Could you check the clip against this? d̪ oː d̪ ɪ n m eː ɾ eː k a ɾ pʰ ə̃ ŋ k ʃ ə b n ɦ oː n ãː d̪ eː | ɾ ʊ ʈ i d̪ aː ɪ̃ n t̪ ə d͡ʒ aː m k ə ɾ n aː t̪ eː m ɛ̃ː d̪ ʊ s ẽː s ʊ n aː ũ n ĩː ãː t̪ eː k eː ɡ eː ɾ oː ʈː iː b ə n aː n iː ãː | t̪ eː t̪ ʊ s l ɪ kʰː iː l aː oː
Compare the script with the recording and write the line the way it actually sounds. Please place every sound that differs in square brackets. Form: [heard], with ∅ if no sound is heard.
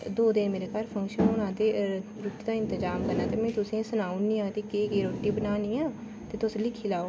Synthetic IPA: d̪ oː d̪ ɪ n m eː ɾ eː k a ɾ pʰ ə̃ ŋ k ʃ ə [∅] n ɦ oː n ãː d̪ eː | ɾ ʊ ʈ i d̪ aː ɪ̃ n t̪ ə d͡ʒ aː m k ə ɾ n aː t̪ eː m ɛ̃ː [t̪] ʊ s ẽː s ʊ n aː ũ n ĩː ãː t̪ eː k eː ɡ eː ɾ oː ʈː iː b ə n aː n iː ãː | t̪ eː t̪ ʊ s l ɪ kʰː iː l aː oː